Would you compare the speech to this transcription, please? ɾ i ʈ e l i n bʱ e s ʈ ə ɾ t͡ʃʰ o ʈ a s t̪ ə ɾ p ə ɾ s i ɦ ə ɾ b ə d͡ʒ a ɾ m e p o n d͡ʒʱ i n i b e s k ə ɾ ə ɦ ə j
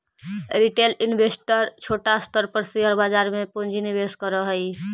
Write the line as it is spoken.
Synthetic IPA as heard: ɾ i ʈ e l i n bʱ e s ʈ ə ɾ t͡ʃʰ o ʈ a s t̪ ə ɾ p ə ɾ s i ɦ ə ɾ b a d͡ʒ a ɾ m e p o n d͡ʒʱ i n i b e s k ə ɾ ə ɦ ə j